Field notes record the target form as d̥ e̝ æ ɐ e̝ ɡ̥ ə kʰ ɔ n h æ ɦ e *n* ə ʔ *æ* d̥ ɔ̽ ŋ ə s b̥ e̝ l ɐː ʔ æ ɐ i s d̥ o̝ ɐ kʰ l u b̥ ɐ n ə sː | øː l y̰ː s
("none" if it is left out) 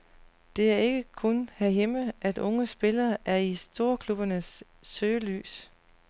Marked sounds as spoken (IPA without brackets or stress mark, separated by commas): m, æ